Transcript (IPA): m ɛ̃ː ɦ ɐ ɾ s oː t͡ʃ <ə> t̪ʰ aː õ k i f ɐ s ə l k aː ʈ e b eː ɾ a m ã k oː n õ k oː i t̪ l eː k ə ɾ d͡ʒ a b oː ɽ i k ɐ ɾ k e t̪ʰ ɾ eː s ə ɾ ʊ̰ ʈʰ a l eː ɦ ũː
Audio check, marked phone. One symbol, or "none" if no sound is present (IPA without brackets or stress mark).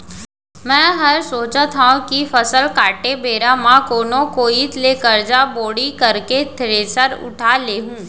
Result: ə